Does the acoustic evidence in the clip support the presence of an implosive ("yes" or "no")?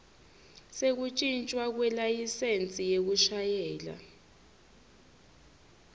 no